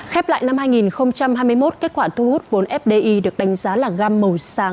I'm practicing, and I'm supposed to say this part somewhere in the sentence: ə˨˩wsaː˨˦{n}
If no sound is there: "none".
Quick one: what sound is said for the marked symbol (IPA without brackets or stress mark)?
ŋ